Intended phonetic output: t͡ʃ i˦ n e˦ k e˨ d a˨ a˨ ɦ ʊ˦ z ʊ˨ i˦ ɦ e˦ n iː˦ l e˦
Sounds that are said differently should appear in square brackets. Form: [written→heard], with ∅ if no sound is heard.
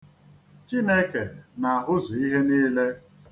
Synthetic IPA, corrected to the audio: t͡ʃ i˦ n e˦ k e˨ [d→n] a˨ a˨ ɦ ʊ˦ z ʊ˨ i˦ ɦ e˦ n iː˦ l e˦